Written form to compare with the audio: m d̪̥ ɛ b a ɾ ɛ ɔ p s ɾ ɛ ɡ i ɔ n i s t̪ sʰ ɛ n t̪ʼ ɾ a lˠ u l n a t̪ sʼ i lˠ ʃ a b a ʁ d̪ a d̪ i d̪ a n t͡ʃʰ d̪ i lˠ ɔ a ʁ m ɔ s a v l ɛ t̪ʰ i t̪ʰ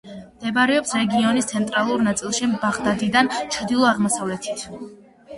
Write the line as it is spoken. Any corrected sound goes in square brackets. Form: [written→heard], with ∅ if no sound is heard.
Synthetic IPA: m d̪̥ ɛ b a ɾ ɛ ɔ p s ɾ ɛ ɡ i ɔ n i s t̪ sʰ ɛ n t̪ʼ ɾ a lˠ u [l→ɾ] n a t̪ sʼ i lˠ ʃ [a→i] b a ʁ d̪ a d̪ i d̪ a n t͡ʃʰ d̪ i lˠ ɔ a ʁ m ɔ s a v l ɛ t̪ʰ i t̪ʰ

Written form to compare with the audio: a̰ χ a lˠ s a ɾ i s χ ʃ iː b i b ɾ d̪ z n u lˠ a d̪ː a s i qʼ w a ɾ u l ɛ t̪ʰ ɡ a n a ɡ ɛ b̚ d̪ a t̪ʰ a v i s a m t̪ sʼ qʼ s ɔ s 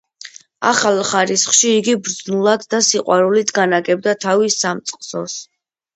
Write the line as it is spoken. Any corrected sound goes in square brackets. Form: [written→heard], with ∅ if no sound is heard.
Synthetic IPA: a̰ χ a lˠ [s→χ] a ɾ i s χ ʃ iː [b→ɡ] i b ɾ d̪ z n u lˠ a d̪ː a s i qʼ w a ɾ u l [ɛ→i] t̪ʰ ɡ a n a ɡ ɛ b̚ d̪ a t̪ʰ a v i s a m t̪ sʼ qʼ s ɔ s

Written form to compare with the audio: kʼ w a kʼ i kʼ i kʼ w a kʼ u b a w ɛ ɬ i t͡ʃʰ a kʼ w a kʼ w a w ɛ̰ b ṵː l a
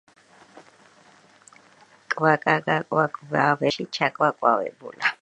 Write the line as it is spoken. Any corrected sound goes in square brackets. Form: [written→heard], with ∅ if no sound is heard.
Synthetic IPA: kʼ w a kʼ [i→a] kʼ [i→a] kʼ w a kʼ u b a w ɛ ɬ i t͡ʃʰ a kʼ w a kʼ w a w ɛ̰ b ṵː l a

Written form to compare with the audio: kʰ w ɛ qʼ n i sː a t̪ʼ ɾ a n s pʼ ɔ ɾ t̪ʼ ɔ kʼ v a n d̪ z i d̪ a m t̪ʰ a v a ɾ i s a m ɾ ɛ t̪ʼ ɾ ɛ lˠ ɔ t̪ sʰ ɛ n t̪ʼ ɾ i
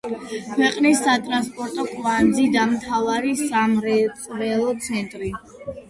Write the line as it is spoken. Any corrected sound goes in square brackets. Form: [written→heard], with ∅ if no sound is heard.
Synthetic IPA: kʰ w ɛ qʼ n i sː a t̪ʼ ɾ a n s pʼ ɔ ɾ t̪ʼ ɔ kʼ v a n d̪ z i d̪ a m t̪ʰ a v a ɾ i s a m ɾ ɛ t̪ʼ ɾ ɛ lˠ ɔ t̪ sʰ ɛ n t̪ʼ ɾ i

